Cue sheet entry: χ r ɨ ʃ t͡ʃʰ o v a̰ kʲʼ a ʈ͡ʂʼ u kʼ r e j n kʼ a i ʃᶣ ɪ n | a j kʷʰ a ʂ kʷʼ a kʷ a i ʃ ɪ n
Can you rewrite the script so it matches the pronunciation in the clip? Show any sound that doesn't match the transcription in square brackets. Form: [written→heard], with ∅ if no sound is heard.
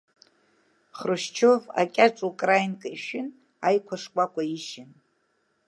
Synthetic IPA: χ r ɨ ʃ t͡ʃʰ o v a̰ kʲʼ a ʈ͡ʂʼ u kʼ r [e→a] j n kʼ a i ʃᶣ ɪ n | a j kʷʰ a ʂ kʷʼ a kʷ a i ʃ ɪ n

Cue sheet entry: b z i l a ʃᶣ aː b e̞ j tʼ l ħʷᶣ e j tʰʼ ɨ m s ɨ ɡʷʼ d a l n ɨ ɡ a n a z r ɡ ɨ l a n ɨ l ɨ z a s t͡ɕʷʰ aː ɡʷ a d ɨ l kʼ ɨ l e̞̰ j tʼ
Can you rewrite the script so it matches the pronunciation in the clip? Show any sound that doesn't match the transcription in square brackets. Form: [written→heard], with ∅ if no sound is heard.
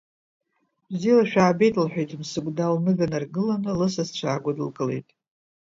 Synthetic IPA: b z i l a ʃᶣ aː b e̞ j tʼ l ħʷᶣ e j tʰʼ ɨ m s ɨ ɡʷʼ d a l n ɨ ɡ a n a [z→∅] r ɡ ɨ l a n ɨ l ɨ [z→s] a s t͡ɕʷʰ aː ɡʷ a d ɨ l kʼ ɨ l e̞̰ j tʼ

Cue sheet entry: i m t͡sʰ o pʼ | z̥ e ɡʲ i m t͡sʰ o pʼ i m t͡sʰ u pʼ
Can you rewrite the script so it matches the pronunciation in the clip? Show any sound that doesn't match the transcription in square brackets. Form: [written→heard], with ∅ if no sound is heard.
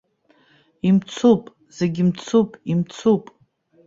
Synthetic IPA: i m t͡sʰ [o→u] pʼ | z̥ e ɡʲ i m t͡sʰ [o→u] pʼ i m t͡sʰ u pʼ

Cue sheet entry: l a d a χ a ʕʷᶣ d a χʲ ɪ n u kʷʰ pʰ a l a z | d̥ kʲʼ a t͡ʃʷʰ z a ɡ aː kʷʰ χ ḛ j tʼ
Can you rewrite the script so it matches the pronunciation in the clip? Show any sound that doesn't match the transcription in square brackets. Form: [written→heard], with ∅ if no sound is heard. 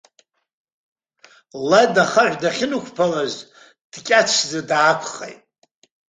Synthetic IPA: l a d a χ a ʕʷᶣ d a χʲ ɪ n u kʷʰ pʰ a l a z | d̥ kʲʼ a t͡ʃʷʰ z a [ɡ→d] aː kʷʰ χ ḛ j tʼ

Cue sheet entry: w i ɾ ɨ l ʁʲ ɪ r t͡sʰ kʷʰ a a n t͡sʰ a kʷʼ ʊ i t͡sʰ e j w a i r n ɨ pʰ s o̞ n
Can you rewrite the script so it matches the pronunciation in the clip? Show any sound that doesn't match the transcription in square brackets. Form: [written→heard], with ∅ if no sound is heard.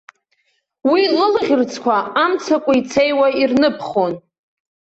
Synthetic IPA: w i [ɾ→l] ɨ l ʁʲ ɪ r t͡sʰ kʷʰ a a [n→m] t͡sʰ a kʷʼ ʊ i t͡sʰ e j w a i r n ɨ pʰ [s→χ] o̞ n

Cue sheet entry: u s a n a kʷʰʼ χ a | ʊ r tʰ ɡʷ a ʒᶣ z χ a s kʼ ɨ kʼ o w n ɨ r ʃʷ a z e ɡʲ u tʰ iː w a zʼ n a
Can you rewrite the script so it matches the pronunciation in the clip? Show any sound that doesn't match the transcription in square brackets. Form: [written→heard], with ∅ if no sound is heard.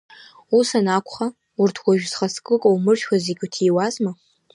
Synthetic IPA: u s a n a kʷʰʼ χ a | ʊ r tʰ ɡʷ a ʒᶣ z χ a s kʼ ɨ kʼ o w [n→m] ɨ r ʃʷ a z e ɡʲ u tʰ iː w a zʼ [n→m] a

